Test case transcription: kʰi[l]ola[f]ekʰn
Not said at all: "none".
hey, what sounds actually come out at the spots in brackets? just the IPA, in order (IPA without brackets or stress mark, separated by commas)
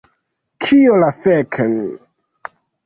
none, f